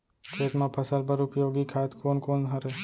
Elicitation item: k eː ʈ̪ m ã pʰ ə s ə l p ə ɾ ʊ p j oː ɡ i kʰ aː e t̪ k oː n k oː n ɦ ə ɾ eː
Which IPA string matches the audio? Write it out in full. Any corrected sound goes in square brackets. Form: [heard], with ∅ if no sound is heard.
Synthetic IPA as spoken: [kʰ] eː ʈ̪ m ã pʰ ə s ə l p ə ɾ ʊ p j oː ɡ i kʰ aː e t̪ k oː n k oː n ɦ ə ɾ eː

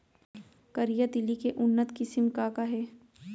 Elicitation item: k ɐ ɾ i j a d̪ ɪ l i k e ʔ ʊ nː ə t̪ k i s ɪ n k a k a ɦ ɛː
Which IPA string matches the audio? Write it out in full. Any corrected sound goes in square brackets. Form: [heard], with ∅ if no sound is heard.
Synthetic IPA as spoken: k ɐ ɾ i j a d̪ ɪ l i k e ʔ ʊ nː ə t̪ k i s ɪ [m] k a k a ɦ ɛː

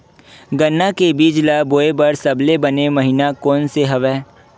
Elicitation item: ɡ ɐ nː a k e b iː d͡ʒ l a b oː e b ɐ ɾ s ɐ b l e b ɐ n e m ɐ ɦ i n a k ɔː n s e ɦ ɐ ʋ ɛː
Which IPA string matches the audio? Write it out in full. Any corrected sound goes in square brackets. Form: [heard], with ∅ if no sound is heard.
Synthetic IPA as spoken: ɡ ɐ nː a k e b iː d͡ʒ l a b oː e b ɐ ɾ s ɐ b l e b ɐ n e m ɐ ɦ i n a k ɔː n s e ɦ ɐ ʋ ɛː

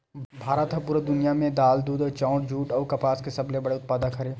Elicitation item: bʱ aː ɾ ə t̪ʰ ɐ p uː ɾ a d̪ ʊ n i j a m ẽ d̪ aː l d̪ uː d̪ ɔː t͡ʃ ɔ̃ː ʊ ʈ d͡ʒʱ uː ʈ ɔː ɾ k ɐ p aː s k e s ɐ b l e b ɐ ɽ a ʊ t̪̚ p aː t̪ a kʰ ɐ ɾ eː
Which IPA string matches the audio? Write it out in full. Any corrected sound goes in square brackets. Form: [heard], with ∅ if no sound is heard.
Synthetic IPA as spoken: bʱ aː ɾ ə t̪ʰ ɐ p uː ɾ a d̪ ʊ n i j a m ẽ d̪ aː l d̪ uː d̪ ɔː t͡ʃ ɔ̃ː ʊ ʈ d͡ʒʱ uː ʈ ɔː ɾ k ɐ p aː s k e s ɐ b l e b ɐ ɽ [e] ʊ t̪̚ p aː [d̪] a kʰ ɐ ɾ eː

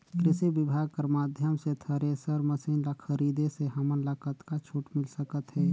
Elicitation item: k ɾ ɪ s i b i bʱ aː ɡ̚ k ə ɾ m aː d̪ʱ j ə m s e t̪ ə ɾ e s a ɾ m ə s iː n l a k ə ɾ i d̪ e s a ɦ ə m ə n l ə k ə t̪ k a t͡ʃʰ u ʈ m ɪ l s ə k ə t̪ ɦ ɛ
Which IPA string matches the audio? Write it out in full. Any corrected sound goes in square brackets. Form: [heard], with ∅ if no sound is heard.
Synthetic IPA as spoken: k ɾ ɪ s i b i bʱ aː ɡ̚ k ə ɾ m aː d̪ʱ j ə m s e [t̪ʰ] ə ɾ e s [ə] ɾ m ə s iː n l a [kʰ] ə ɾ i d̪ e s [e] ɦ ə m ə n l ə k ə t̪ k a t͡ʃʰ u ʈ m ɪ l s ə k ə t̪ ɦ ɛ

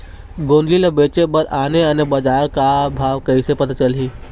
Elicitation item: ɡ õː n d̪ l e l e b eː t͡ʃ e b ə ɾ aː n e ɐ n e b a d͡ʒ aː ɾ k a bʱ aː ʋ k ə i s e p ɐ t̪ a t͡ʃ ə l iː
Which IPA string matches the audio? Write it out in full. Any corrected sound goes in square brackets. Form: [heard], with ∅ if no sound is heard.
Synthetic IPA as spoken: ɡ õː n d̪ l [i] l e b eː t͡ʃ e b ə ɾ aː n e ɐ n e b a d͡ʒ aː ɾ k a bʱ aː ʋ k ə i s e p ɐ t̪ a t͡ʃ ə l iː

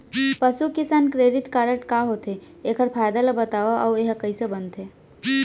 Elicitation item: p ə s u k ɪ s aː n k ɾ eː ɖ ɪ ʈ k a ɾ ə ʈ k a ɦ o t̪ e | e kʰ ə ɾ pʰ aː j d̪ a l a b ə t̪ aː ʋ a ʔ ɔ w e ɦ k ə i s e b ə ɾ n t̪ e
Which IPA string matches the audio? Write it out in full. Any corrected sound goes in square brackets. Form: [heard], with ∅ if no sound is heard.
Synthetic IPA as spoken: p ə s u k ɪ s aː n k ɾ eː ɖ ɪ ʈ k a ɾ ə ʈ k a ɦ o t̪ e | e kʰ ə ɾ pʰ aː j d̪ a l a b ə t̪ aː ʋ a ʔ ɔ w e ɦ k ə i s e b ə [∅] n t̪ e

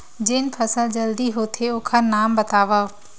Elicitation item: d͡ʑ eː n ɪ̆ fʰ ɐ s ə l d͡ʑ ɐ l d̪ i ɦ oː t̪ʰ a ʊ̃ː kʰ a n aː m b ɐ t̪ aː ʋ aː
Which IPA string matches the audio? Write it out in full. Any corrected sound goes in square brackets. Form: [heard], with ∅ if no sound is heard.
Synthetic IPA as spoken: d͡ʑ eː n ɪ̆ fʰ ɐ s ə l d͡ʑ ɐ l d̪ i ɦ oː t̪ʰ [e] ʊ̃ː kʰ a n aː m b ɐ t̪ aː ʋ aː

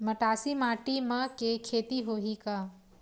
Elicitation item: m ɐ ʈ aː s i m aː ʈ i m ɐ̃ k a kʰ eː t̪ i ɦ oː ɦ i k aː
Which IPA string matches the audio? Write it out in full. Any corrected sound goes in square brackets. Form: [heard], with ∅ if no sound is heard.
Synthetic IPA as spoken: m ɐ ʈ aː s i m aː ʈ i m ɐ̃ k [e] kʰ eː t̪ i ɦ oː ɦ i k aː

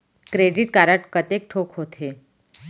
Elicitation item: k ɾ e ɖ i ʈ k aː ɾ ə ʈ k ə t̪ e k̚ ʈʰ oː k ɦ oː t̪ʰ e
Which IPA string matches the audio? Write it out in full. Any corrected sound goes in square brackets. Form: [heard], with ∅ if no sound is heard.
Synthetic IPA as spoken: k ɾ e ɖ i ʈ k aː ɾ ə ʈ k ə t̪ e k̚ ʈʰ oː k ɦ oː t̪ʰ e

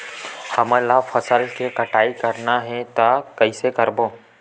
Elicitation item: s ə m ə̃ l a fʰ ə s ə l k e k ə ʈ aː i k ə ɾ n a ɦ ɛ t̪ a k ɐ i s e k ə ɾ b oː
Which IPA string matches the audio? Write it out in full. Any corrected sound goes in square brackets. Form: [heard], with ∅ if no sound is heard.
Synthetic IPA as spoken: [h] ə m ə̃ l a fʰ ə s ə l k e k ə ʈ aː i k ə ɾ n a ɦ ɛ t̪ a k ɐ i s e k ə ɾ b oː

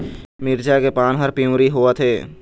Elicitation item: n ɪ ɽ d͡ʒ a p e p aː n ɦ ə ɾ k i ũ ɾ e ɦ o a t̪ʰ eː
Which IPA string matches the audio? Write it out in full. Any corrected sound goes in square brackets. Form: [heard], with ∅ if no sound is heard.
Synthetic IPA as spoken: [m] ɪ [ɾ] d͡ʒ a [k] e p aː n ɦ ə ɾ [p] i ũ ɾ [i] ɦ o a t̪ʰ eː

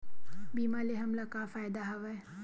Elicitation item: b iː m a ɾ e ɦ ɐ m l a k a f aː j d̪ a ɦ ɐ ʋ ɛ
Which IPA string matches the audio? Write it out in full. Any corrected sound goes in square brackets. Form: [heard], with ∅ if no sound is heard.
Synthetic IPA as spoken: b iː m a [l] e ɦ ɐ m l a k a f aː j d̪ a ɦ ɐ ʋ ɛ

